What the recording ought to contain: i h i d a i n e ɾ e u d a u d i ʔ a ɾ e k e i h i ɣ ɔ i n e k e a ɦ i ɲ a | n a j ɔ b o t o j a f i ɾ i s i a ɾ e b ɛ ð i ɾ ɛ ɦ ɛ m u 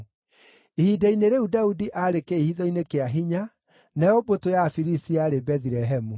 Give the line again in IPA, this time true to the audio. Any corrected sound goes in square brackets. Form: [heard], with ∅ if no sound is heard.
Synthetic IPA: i h i d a i n e ɾ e u d a u d i ʔ a ɾ e k e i h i [ð] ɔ i n e k e a ɦ i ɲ a | n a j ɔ b o t o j a f i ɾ i s i a ɾ e b ɛ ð i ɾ ɛ ɦ ɛ m u